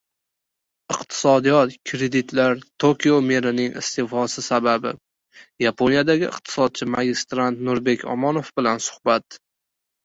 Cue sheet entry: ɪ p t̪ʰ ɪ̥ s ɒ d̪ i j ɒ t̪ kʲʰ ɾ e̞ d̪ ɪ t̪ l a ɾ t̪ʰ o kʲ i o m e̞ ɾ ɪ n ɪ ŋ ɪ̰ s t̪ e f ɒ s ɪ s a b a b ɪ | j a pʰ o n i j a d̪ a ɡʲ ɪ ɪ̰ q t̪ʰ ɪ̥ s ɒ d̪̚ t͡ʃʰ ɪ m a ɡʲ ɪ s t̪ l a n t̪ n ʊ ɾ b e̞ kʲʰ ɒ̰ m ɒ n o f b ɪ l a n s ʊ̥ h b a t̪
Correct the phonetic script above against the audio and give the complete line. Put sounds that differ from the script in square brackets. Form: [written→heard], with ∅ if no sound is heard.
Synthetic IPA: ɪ [p→q] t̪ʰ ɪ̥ s ɒ d̪ i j ɒ t̪ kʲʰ ɾ e̞ d̪ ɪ t̪ l a ɾ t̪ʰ o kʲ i o m e̞ ɾ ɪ n ɪ ŋ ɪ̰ s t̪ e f ɒ s ɪ s a b a b ɪ | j a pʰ o n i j a d̪ a ɡʲ ɪ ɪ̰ q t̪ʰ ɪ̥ s ɒ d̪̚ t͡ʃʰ ɪ m a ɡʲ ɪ s t̪ [l→ɾ] a n t̪ n ʊ ɾ b e̞ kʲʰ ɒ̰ m ɒ n o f b ɪ l a n s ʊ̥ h b a t̪